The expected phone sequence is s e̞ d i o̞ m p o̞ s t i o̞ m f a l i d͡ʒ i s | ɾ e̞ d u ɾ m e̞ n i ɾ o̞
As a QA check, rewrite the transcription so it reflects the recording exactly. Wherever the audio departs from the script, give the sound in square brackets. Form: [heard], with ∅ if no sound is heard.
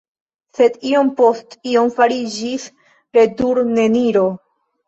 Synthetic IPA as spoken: s e̞ d i o̞ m p o̞ s t i o̞ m f a [ɾ] i d͡ʒ i s | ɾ e̞ d u ɾ [n] e̞ n i ɾ o̞